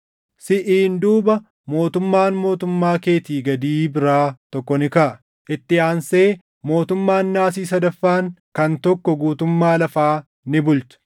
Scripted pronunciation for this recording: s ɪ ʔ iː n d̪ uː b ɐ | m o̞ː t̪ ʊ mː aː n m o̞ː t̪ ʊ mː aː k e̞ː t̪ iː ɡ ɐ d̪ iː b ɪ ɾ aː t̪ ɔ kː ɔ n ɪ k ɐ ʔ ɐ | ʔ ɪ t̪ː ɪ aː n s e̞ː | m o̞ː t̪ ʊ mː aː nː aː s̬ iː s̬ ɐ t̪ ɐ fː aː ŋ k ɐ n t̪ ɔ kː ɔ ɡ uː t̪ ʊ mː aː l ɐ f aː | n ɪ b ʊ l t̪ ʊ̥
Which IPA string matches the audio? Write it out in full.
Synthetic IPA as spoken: s ɪ ʔ iː n d̪ uː b ɐ | m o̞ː t̪ ʊ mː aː n m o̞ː t̪ ʊ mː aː k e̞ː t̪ iː ɡ ɐ d̪ iː b ɪ ɾ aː t̪ ɔ kː ɔ n ɪ k ɐ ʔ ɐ | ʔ ɪ t̪ː ɪ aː n s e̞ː | m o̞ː t̪ ʊ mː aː nː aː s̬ iː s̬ ɐ d̪ ɐ fː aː ŋ k ɐ n t̪ ɔ kː ɔ ɡ uː t̪ ʊ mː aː l ɐ f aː | n ɪ b ʊ l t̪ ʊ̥